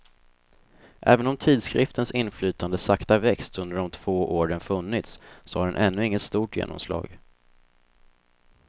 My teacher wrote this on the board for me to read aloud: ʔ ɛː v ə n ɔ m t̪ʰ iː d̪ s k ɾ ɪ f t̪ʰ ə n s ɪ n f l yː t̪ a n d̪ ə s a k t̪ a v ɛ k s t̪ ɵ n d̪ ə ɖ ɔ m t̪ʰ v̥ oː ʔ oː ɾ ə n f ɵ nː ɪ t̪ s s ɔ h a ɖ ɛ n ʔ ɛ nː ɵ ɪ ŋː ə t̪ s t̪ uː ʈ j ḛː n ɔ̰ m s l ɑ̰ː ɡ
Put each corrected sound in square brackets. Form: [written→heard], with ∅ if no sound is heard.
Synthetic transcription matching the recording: ʔ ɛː v ə n ɔ m t̪ʰ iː d̪ s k ɾ ɪ f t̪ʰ ə n s ɪ n f l yː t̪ a n d̪ ə s a k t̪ a v ɛ k s t̪ ɵ n d̪ ə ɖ ɔ m t̪ʰ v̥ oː ʔ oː ɾ ə n f ɵ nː ɪ t̪ s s ɔ h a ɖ ɛ n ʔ ɛ nː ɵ ɪ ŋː ə t̪ s t̪ uː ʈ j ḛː n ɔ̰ m s l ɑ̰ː ɡ

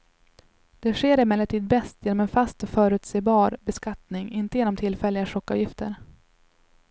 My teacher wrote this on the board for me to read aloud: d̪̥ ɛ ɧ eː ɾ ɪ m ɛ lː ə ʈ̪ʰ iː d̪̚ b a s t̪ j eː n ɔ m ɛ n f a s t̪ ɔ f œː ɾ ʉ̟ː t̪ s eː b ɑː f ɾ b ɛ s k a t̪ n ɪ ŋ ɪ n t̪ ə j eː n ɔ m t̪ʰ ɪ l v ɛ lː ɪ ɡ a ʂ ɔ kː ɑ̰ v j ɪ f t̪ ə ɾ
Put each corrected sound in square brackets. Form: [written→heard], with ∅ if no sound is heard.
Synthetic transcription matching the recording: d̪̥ ɛ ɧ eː ɾ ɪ m ɛ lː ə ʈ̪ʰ iː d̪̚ b [a→ɛ] s t̪ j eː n ɔ m ɛ n f a s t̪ ɔ f œː ɾ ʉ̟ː t̪ s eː b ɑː [f→∅] ɾ b ɛ s k a t̪ n ɪ ŋ ɪ n t̪ ə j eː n ɔ m t̪ʰ ɪ l [v→f] ɛ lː ɪ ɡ a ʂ ɔ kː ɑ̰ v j ɪ f t̪ ə ɾ

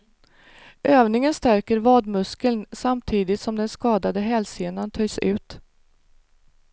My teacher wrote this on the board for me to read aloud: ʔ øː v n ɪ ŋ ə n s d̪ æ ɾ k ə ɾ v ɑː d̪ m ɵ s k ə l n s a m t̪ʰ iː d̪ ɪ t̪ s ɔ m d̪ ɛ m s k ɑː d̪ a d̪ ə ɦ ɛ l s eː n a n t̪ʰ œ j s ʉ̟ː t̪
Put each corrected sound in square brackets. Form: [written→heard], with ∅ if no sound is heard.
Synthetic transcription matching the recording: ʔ øː v n ɪ ŋ ə n s [d̪→t̪] æ ɾ k ə ɾ v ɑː d̪ m ɵ s k ə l n s a m t̪ʰ iː d̪ ɪ t̪ s ɔ m d̪ ɛ [m→n] s k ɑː d̪ a d̪ ə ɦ ɛ l s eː n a n t̪ʰ œ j s ʉ̟ː t̪

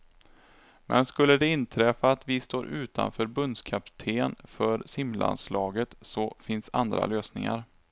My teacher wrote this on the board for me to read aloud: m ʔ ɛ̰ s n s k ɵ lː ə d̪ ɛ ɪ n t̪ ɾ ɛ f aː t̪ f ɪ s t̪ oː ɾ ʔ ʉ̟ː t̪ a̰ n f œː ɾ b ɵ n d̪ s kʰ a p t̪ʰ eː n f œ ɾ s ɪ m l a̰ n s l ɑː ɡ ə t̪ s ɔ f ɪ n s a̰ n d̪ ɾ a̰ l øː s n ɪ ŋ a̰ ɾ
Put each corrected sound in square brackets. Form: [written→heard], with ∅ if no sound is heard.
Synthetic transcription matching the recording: m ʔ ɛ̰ [s→∅] n s k ɵ lː ə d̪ ɛ ɪ n [t̪→t̪ʰ] ɾ ɛ f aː t̪ [f→v] ɪ s t̪ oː ɾ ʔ ʉ̟ː t̪ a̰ n f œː ɾ b ɵ n d̪ s kʰ a p t̪ʰ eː n f œ ɾ s ɪ m l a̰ n s l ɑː ɡ ə t̪ s ɔ f ɪ n s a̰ n d̪ ɾ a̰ l øː s n ɪ ŋ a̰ ɾ

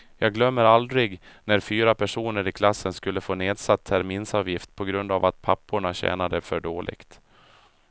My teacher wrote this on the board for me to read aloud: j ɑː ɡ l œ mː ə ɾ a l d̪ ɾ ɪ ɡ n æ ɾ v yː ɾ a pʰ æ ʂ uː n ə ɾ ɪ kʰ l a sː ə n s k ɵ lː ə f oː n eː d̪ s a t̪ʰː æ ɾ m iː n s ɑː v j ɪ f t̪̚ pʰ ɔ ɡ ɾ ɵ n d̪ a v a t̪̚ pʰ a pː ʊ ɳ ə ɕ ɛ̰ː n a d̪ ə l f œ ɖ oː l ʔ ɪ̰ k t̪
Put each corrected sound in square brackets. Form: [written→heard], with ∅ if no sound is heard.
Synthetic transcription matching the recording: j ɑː ɡ l œ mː ə ɾ a l d̪ ɾ ɪ ɡ n æ ɾ [v→f] yː ɾ a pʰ æ ʂ uː n ə ɾ ɪ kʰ l a sː ə n s k ɵ lː ə f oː n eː d̪ s a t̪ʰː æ ɾ m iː n s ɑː v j ɪ f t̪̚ pʰ ɔ ɡ ɾ ɵ n d̪ a v a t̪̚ pʰ a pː ʊ ɳ [ə→a] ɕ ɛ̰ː n a d̪ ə [l→∅] f œ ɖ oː l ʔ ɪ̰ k t̪

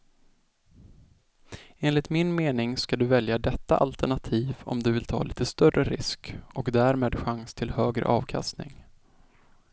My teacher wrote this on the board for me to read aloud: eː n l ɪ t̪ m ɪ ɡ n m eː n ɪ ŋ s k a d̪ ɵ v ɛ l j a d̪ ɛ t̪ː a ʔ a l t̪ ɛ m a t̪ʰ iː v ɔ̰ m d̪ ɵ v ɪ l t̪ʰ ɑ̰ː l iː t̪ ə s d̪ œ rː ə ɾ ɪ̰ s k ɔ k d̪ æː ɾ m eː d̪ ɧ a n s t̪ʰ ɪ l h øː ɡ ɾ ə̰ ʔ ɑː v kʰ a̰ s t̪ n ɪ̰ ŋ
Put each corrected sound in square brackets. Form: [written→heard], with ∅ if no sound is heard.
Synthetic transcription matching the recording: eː n l ɪ t̪ m ɪ [ɡ→∅] n m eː n ɪ ŋ s k a d̪ ɵ v ɛ l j a d̪ ɛ t̪ː a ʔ a l t̪ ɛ [m→ɳ] a t̪ʰ iː v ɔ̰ m d̪ ɵ v ɪ l t̪ʰ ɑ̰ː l iː t̪ ə s [d̪→t̪] œ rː ə ɾ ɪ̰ s k ɔ k d̪ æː ɾ m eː d̪ ɧ a [n→ŋ] s t̪ʰ ɪ l h øː ɡ ɾ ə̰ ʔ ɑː v kʰ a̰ s t̪ n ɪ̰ ŋ

